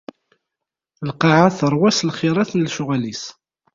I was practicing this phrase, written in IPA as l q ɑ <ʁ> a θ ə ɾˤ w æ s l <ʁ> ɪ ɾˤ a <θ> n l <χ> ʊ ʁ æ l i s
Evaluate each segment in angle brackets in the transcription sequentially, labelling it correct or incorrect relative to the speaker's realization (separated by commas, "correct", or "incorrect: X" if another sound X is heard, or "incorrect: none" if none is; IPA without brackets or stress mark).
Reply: incorrect: ʕ, incorrect: χ, correct, incorrect: ʃ